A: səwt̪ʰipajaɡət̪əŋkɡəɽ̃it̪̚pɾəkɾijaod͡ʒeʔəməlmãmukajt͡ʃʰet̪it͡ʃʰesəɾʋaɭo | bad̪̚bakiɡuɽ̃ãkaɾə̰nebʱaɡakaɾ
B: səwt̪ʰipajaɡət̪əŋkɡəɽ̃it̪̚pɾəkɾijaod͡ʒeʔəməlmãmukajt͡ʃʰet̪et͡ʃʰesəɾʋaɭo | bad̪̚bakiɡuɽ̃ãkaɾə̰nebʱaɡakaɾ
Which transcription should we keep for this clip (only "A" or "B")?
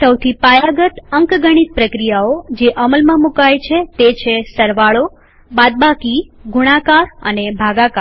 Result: B